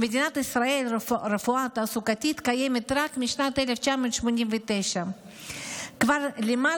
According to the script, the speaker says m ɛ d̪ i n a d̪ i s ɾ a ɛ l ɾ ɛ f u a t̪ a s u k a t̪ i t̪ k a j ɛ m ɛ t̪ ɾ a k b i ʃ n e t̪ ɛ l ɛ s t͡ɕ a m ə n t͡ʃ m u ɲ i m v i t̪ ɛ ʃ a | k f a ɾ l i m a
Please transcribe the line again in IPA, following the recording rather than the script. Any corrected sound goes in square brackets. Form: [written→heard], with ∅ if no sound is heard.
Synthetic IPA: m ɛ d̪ i n a [d̪→t̪] i s ɾ a ɛ l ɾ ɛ f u a t̪ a s u k a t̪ i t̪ k a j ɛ m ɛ t̪ ɾ a k [b→m] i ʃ n [e→a] t̪ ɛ l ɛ [s→f] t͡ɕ a m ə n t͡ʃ m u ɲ i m v i t̪ ɛ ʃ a | k [f→v] a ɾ l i m a